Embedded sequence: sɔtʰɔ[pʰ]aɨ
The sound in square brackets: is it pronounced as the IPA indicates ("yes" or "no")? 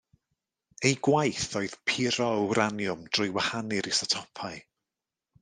yes